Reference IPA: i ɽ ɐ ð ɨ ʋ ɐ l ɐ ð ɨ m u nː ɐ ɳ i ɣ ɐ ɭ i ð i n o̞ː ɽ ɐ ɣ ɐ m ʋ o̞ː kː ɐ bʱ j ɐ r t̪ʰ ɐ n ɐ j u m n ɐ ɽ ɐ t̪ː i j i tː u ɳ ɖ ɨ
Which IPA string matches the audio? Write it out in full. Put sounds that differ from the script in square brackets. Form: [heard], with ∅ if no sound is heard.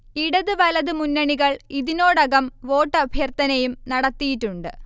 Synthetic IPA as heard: i ɽ ɐ ð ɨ ʋ ɐ l ɐ ð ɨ m u nː ɐ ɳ i ɣ ɐ ɭ i ð i n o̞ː ɽ ɐ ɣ ɐ m ʋ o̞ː [ʈː] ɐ bʱ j ɐ r [t̪] ɐ n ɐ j u m n ɐ ɽ ɐ t̪ː i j i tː u ɳ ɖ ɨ